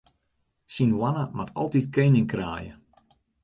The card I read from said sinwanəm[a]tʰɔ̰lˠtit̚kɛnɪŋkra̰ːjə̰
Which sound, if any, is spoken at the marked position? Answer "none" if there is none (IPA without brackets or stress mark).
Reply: a